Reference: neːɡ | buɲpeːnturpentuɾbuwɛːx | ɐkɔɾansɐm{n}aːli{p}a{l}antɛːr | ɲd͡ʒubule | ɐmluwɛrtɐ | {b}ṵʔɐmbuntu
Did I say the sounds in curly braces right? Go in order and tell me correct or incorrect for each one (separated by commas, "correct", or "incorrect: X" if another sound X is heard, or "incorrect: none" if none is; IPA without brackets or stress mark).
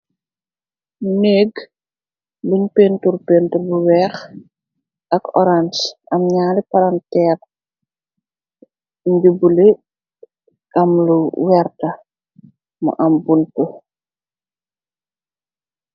incorrect: ɲ, correct, incorrect: ɾ, incorrect: m